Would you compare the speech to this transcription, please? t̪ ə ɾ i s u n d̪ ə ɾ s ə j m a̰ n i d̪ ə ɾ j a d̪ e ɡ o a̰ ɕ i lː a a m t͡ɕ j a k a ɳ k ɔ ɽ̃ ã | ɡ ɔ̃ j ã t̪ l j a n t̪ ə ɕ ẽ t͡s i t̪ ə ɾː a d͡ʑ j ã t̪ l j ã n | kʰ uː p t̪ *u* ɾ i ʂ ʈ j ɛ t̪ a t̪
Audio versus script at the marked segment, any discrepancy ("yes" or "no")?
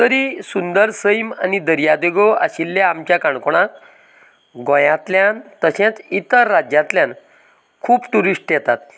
no